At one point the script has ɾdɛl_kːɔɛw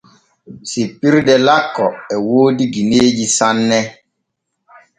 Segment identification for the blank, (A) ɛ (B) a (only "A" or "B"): B